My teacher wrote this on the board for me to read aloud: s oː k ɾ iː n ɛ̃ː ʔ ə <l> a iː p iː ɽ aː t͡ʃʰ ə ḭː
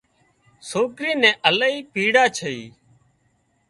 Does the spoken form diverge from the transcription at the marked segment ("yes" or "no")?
no